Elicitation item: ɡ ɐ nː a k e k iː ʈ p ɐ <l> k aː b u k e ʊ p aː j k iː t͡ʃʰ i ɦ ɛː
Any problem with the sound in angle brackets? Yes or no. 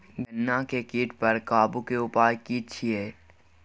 yes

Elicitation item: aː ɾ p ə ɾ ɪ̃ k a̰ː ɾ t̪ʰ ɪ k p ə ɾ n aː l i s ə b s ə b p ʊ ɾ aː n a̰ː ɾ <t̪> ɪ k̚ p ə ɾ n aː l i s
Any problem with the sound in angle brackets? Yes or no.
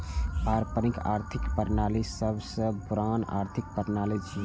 yes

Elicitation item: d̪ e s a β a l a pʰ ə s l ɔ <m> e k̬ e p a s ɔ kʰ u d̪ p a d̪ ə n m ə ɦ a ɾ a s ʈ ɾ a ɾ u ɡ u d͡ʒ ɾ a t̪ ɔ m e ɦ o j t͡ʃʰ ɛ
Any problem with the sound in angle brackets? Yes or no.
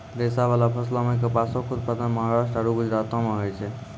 no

